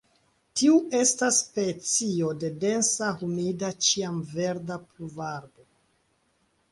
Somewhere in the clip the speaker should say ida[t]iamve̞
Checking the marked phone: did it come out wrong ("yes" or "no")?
yes